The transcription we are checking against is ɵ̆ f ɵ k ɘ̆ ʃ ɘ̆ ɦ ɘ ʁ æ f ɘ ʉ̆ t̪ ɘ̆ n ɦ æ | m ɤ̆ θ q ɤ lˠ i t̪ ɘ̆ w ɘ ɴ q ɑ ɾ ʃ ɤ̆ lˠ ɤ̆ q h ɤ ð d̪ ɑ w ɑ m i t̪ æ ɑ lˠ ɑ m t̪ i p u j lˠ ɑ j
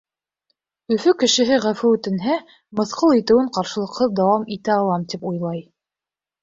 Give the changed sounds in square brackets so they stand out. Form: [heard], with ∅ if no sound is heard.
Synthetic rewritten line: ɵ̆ f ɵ k ɘ̆ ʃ ɘ̆ ɦ ɘ ʁ æ f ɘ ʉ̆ t̪ ɘ̆ n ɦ æ | m ɤ̆ θ q ɤ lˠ i t̪ ɘ̆ w ɘ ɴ q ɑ ɾ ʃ ɤ̆ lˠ ɤ̆ q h ɤ ð d̪ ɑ w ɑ m i t̪ æ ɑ lˠ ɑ m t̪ i p u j lˠ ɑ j